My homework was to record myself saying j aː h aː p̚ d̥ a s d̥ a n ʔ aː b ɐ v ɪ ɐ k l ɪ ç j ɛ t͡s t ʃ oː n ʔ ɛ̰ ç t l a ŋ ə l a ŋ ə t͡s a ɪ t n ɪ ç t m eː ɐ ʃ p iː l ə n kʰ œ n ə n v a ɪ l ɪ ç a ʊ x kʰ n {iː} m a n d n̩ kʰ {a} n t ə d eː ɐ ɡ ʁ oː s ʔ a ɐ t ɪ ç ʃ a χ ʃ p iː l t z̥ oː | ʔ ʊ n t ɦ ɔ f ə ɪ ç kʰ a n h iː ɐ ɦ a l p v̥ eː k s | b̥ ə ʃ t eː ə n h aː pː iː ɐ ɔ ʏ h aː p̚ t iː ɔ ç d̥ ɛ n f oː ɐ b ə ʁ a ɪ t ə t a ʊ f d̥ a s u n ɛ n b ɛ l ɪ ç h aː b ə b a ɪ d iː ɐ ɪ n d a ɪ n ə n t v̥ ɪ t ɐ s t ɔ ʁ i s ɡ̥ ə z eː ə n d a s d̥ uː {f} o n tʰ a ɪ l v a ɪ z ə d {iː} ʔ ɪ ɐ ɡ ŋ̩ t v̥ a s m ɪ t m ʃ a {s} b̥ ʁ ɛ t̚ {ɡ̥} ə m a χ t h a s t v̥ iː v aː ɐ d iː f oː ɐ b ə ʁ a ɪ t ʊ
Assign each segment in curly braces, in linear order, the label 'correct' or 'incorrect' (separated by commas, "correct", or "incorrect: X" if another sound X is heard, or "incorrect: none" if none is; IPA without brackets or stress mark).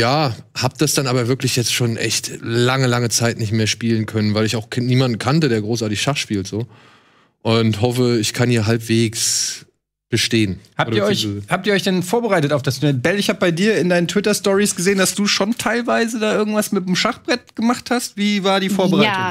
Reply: correct, correct, incorrect: ʃ, incorrect: aː, incorrect: χ, correct